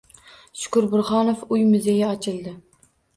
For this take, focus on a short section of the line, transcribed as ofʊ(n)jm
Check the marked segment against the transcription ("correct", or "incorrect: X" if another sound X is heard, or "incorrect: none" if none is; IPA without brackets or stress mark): incorrect: none